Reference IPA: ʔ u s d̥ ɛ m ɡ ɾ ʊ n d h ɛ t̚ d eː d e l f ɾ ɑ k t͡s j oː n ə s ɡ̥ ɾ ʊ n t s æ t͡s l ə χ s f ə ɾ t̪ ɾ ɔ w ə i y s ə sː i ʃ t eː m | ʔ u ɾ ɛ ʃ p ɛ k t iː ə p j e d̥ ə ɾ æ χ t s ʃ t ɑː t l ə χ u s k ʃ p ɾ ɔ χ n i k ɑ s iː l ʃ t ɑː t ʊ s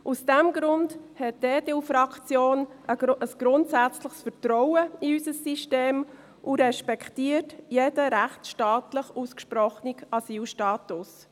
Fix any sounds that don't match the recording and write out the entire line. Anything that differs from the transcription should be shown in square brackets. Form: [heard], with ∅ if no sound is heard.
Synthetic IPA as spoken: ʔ u s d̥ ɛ m ɡ ɾ ʊ n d h ɛ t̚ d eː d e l f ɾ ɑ k t͡s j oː n ə s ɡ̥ ɾ ʊ n t s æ t͡s l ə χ s f ə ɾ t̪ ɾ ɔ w ə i y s ə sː i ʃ t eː m | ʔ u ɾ ɛ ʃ p ɛ k t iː ə [t] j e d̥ ə ɾ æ χ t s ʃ t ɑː t l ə χ u s k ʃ p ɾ ɔ χ n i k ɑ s iː l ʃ t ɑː t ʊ s